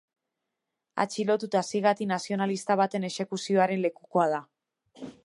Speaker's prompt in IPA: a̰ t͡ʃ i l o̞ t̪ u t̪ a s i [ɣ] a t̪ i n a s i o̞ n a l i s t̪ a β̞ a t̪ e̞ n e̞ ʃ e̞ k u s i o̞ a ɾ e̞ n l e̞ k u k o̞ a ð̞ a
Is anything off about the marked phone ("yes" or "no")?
no